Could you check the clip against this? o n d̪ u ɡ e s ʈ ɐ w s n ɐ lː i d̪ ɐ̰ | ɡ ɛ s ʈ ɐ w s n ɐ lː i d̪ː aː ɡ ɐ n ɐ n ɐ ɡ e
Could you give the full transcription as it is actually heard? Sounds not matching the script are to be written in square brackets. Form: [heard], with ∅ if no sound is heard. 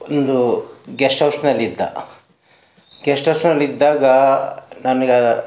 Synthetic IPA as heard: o n d̪ u ɡ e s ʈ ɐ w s n ɐ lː i [d̪ː] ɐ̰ | ɡ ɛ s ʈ ɐ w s n ɐ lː i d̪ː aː ɡ ɐ n ɐ n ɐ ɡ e